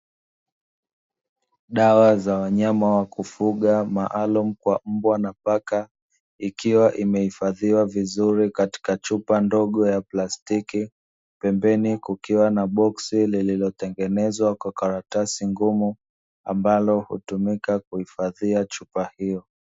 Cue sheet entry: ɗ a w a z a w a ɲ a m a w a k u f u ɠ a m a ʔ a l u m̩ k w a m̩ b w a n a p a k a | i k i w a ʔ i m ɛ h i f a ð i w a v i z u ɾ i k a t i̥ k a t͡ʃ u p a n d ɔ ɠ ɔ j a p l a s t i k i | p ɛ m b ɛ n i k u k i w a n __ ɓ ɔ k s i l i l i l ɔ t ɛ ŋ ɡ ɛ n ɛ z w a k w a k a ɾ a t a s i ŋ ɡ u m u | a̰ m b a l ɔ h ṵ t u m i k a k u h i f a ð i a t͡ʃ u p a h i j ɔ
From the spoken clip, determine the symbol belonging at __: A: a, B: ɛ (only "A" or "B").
A